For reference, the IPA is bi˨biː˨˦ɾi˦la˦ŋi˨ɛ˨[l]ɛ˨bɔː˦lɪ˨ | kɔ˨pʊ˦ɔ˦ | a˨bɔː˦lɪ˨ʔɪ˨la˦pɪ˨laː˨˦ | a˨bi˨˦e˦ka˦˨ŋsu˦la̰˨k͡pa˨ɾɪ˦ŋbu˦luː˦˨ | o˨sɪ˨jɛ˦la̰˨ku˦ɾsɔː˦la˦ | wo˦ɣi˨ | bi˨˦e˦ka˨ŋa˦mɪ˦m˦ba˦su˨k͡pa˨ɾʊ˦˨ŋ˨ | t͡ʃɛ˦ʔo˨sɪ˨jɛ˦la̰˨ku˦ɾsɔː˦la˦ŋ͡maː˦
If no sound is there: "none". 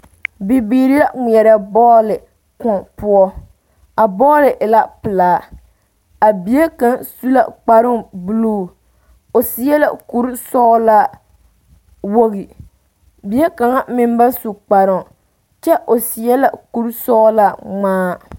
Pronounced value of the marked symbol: ɾ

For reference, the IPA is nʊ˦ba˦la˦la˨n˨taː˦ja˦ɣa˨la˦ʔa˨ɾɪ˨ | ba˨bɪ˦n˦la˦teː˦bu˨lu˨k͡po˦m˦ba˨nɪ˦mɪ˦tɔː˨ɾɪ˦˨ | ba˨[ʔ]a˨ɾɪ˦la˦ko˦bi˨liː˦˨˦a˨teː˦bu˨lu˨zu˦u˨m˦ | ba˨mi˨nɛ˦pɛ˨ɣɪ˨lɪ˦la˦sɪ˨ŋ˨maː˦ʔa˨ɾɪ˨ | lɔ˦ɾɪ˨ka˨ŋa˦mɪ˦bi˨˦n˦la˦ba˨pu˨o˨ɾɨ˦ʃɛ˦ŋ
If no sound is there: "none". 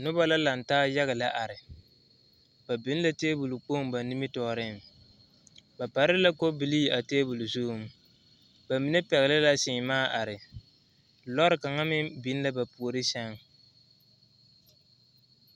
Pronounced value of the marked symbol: p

